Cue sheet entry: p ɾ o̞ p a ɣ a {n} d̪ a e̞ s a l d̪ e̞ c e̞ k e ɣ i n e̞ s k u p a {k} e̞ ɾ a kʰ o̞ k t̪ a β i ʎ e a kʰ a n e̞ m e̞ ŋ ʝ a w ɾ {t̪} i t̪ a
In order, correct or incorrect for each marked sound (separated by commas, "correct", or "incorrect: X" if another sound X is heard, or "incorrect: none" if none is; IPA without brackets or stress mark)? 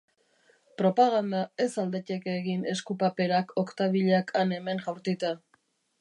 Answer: correct, incorrect: p, correct